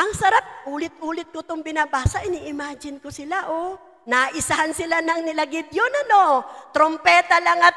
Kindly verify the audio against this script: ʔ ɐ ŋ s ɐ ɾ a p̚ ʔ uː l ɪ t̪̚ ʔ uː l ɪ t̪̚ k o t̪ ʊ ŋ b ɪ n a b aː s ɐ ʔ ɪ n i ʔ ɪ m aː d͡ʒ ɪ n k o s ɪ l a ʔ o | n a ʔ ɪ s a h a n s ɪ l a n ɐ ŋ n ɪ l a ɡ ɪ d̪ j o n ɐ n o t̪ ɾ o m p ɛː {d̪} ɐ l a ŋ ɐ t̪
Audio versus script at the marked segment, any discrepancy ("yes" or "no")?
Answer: yes